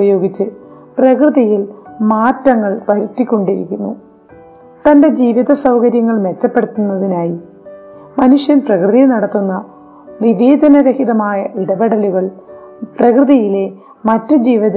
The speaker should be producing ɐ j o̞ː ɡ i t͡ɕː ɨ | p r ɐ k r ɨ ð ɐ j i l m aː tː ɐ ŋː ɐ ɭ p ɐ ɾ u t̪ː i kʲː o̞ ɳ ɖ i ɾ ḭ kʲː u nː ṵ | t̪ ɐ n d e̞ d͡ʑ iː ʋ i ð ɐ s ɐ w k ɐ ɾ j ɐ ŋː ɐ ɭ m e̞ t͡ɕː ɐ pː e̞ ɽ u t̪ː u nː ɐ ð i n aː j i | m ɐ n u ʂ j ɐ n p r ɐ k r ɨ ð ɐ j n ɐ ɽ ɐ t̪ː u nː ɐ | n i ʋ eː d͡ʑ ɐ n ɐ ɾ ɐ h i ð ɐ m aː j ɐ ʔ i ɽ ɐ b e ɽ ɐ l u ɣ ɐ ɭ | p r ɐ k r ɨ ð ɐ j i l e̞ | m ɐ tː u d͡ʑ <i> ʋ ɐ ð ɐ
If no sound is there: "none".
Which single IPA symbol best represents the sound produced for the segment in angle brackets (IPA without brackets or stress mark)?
iː